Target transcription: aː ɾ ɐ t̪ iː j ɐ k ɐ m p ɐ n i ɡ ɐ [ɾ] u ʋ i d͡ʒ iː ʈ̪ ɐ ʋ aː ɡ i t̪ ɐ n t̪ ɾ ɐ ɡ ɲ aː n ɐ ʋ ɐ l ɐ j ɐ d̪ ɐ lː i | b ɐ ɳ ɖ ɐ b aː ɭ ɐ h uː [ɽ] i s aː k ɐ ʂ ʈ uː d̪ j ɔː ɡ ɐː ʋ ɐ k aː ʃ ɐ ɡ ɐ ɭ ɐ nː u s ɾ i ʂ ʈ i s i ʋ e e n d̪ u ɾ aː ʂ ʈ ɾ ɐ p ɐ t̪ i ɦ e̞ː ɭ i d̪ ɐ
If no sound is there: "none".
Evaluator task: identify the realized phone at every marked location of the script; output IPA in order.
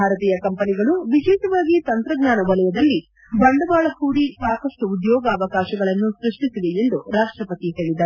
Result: ɭ, ɽ

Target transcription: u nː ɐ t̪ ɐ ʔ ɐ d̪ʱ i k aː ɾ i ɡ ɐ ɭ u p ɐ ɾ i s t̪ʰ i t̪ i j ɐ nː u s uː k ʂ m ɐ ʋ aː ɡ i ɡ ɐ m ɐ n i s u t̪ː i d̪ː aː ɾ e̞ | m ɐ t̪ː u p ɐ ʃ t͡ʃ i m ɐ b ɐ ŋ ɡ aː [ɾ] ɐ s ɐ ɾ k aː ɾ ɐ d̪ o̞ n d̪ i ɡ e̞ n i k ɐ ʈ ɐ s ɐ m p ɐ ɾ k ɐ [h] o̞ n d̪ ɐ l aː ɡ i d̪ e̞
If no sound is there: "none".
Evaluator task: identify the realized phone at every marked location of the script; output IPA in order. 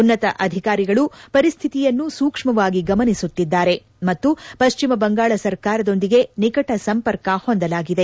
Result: ɭ, h

